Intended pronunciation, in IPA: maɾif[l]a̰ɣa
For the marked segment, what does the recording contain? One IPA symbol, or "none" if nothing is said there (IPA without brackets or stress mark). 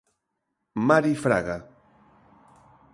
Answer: ɾ